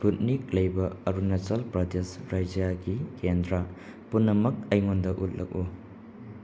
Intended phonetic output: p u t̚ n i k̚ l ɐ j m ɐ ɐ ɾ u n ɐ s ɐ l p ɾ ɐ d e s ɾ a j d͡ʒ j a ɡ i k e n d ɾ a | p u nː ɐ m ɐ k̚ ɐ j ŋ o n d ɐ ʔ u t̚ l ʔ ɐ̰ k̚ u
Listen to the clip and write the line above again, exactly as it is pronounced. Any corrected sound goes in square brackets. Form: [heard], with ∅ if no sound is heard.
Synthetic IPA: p u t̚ n i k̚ l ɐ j [b] ɐ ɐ ɾ u n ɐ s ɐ l p ɾ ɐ d e s ɾ a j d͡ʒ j a ɡ i k e n d ɾ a | p u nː ɐ m ɐ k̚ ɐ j ŋ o n d ɐ ʔ u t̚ l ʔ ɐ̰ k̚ u

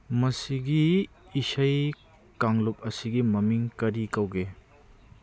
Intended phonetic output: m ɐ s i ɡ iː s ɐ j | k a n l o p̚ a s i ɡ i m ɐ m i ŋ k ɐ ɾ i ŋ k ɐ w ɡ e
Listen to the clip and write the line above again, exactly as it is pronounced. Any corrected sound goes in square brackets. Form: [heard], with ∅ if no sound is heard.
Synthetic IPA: m ɐ s i ɡ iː s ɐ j | k a [ŋ] l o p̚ [ɐ] s i ɡ i m ɐ m i ŋ k ɐ ɾ i [∅] k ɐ w ɡ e

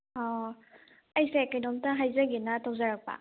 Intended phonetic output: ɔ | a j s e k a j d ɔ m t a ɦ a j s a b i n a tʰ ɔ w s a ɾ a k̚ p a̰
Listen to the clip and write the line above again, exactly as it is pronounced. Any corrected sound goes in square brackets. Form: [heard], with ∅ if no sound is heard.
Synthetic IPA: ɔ | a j s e k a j d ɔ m t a ɦ a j [z] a [ɡ] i n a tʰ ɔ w [z] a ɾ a k̚ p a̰

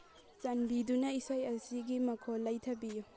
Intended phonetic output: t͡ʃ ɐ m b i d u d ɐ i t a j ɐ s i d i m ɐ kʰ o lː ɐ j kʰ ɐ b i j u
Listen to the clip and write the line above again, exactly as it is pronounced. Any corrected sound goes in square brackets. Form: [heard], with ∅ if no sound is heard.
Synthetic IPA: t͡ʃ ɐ [n] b i d u [n] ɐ i [s] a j ɐ s i [ɡ] i m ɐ kʰ o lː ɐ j [tʰ] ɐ b i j u

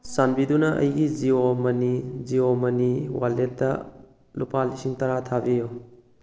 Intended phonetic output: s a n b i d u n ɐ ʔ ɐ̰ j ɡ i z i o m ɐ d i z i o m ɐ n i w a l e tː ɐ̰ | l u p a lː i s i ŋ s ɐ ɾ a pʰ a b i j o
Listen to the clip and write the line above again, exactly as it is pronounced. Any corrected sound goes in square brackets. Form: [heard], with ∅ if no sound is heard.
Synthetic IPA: s a n b i d u n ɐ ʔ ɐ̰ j ɡ i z i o m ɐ [n] i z i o m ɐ n i w a l e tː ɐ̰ | l u p a [l] i s i ŋ [t] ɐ ɾ a [tʰ] a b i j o

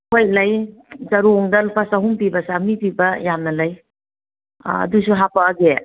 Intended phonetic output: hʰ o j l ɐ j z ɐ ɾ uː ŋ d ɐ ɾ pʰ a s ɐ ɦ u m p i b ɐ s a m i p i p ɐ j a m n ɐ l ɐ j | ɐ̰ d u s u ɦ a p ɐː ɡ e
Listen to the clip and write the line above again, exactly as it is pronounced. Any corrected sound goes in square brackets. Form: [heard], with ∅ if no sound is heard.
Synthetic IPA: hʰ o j l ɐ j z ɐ ɾ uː ŋ d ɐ [l] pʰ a s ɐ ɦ u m p i b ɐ s a m i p i [b] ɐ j a m n ɐ l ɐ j | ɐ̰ d u s u ɦ a p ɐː ɡ e

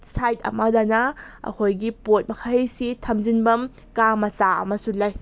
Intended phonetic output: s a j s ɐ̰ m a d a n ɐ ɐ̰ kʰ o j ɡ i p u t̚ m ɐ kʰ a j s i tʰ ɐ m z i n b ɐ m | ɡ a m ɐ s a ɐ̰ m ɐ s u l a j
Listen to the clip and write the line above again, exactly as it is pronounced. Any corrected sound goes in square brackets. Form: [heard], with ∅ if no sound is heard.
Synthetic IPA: s a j [t] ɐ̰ m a d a n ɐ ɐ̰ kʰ o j ɡ i p [o] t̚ m ɐ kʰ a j s i tʰ ɐ m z i n b ɐ m | [k] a m ɐ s a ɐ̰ m ɐ s u l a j

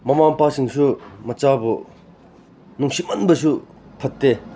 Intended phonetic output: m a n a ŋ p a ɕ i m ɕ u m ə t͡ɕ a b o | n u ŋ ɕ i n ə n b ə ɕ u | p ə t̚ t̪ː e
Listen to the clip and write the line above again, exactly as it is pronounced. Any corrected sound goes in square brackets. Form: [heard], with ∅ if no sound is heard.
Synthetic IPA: m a [m] a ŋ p a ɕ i [ŋ] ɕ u m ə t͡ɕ a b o | n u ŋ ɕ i [m] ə n b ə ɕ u | [pʰ] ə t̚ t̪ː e

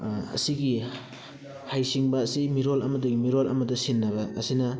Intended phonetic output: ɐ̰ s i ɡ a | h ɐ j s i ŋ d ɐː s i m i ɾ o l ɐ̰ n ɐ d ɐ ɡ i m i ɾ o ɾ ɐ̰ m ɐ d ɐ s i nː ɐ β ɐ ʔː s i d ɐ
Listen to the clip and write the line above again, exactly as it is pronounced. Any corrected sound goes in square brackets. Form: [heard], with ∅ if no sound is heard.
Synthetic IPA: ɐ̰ s i ɡ [i] | h [a] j s i ŋ [b] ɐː s i m i ɾ o l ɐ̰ [m] ɐ d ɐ ɡ i m i ɾ o [l] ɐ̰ m ɐ d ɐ s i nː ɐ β ɐ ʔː s i [n] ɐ

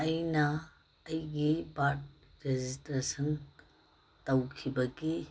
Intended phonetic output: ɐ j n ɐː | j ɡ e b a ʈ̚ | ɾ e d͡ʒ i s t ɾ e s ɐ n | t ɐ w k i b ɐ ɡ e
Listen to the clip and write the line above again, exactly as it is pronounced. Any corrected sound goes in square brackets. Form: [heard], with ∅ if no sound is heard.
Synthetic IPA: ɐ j n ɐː | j ɡ [i] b a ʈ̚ | ɾ e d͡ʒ i s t ɾ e s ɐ n | t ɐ w [kʰ] i b ɐ ɡ [i]

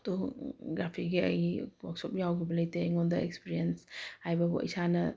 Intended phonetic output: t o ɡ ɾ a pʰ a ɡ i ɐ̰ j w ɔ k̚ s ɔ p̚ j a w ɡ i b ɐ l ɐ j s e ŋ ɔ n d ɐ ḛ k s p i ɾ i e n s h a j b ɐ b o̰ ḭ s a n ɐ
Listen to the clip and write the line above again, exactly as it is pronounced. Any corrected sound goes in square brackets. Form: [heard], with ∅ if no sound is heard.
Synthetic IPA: t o ɡ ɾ a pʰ [i] ɡ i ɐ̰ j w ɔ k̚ s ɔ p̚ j a w ɡ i b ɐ l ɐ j [t] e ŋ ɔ n d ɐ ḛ k s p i ɾ i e n s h a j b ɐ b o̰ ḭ s a n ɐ

